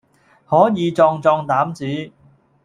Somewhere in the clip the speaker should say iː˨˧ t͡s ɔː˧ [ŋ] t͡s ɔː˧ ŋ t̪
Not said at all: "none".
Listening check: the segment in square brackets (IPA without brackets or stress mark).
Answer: ŋ